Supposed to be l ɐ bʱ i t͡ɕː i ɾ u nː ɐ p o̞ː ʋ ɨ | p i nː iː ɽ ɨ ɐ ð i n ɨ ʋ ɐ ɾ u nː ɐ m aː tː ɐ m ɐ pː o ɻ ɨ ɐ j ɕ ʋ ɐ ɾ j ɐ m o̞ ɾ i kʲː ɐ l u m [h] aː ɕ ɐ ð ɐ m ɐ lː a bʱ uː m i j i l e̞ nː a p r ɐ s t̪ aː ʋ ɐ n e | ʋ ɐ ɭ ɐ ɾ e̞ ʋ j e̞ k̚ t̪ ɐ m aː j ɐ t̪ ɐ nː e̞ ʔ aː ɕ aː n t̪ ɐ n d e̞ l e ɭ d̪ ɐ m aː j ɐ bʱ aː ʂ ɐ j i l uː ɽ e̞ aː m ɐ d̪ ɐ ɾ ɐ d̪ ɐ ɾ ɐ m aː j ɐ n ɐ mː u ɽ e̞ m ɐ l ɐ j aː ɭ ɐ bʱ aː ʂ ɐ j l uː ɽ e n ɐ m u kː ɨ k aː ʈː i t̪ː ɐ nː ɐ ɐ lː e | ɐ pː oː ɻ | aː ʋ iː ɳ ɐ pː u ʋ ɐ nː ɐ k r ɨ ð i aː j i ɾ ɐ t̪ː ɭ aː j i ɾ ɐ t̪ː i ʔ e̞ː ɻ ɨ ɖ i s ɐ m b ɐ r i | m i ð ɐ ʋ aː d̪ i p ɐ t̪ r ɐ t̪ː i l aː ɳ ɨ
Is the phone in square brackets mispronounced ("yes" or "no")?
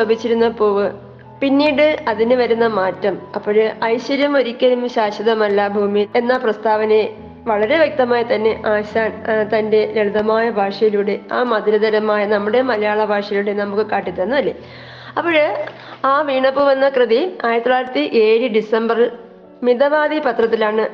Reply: yes